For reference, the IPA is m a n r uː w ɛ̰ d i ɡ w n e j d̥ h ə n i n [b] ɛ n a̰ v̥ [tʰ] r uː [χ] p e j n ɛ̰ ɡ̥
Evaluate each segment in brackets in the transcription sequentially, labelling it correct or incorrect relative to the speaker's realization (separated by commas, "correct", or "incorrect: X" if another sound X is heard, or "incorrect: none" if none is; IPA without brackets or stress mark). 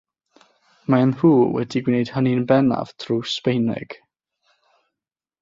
correct, correct, incorrect: s